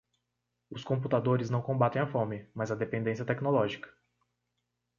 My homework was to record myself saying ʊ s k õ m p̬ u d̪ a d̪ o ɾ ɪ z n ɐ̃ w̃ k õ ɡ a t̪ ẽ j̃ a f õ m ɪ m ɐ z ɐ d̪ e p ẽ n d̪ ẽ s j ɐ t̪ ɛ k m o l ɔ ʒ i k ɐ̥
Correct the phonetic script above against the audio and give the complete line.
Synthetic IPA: ʊ s k õ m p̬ u t̪ a d̪ o ɾ ɪ z n ɐ̃ w̃ k õ b a t̪ ẽ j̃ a f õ m ɪ m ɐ z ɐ d̪ e p ẽ n d̪ ẽ s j ɐ t̪ ɛ k n o l ɔ ʒ i k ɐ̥